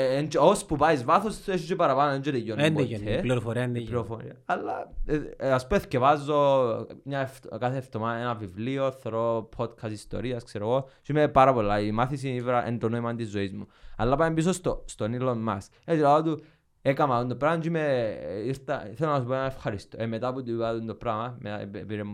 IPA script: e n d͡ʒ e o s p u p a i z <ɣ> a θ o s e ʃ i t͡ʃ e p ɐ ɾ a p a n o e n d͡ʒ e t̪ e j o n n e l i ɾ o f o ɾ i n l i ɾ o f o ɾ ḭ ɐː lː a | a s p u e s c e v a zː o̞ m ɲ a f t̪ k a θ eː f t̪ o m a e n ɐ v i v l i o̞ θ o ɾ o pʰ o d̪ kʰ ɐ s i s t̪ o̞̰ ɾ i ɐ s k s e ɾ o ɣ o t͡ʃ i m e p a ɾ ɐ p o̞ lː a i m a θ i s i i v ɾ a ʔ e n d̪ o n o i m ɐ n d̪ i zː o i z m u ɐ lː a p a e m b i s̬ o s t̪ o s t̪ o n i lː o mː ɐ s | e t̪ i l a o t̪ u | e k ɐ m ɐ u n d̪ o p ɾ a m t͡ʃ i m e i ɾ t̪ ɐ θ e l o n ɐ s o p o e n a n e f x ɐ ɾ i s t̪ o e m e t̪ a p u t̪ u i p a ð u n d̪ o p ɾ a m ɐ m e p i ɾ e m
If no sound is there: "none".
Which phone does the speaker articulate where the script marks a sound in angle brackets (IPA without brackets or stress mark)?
v